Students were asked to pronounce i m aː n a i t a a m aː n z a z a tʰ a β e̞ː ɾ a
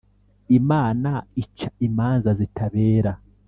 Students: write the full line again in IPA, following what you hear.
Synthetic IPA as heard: i m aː n a i t͡ʃ a i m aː n z a z i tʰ a β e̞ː ɾ a